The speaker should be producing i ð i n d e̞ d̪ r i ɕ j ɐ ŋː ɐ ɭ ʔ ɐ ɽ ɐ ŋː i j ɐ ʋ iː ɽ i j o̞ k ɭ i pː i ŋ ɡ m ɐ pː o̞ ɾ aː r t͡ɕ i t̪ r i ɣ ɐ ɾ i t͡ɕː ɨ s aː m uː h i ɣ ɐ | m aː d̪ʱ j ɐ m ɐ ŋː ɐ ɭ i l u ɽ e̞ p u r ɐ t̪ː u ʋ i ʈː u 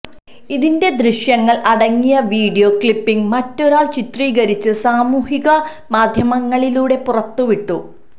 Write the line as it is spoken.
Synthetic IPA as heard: i ð i n d e̞ d̪ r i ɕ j ɐ ŋː ɐ ɭ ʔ ɐ ɽ ɐ ŋː i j ɐ ʋ iː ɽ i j o̞ k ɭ i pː i ŋ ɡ m ɐ tː o̞ ɾ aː ɭ t͡ɕ i t̪ r iː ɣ ɐ ɾ i t͡ɕː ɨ s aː m uː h i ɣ ɐ | m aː d̪ʱ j ɐ m ɐ ŋː ɐ ɭ i l uː ɽ e̞ p u r ɐ t̪ː u ʋ i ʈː u